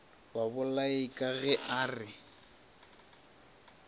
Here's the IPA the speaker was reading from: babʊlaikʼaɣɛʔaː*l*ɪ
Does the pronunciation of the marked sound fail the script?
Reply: yes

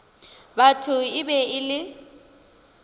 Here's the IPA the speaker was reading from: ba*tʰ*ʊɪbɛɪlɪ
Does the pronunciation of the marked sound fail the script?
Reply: no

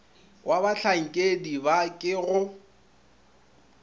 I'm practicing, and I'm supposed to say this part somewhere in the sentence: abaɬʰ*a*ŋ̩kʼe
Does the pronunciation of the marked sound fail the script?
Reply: no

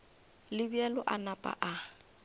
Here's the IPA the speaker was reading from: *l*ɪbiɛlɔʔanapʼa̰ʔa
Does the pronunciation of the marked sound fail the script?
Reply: no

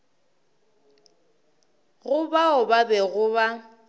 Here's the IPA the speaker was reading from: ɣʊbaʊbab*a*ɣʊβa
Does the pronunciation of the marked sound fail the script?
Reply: yes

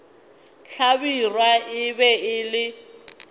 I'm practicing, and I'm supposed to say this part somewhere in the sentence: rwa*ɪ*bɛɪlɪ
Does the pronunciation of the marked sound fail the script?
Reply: no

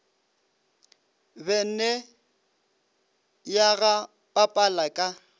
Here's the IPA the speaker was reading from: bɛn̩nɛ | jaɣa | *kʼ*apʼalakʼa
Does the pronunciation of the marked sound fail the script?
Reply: yes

